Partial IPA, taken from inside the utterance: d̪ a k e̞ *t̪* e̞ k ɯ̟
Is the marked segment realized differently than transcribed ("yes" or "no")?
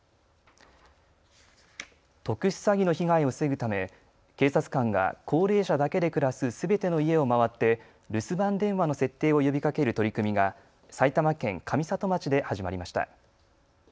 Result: yes